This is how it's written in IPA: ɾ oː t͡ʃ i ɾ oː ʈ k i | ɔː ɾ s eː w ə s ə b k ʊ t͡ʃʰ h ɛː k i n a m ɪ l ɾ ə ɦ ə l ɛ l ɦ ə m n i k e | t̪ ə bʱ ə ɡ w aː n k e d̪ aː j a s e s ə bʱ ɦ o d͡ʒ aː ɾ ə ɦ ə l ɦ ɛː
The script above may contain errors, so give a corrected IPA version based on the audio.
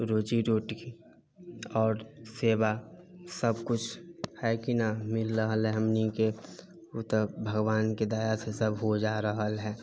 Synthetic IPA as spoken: ɾ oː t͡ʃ i ɾ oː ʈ k i | ɔː ɾ s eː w a s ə b k ʊ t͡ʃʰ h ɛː k i n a m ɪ l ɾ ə ɦ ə l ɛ ɦ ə m n i k e | t̪ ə bʱ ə ɡ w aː n k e d̪ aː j a s e s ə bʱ ɦ o d͡ʒ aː ɾ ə ɦ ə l ɦ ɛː